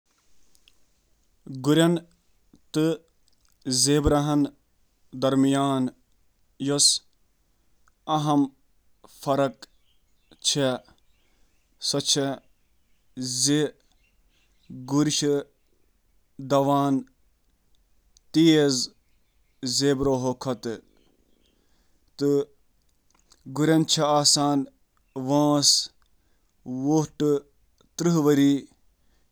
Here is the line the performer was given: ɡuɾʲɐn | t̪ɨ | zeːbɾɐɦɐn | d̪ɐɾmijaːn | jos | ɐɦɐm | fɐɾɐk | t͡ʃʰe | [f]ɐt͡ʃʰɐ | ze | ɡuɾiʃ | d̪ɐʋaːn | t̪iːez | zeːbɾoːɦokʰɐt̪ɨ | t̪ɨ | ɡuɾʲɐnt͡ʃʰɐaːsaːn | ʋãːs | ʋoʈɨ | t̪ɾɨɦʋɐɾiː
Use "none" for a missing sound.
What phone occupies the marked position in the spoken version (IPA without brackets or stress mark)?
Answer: s